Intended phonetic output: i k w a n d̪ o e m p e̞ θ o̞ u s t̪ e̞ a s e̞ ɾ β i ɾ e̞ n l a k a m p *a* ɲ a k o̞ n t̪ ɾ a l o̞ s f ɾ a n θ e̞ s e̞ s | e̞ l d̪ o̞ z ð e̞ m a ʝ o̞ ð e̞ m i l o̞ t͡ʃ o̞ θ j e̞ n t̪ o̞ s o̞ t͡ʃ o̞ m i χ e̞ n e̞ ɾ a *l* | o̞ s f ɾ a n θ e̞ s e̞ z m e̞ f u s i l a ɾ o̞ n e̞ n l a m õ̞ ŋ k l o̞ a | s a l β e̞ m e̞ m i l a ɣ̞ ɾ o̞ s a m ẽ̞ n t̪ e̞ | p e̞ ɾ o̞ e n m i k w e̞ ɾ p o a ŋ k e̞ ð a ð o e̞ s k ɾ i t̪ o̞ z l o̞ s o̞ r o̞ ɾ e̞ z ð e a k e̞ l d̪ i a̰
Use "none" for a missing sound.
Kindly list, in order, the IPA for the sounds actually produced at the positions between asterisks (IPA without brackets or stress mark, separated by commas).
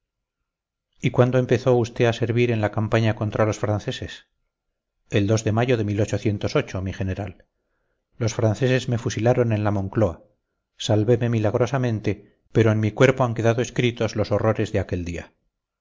a, lː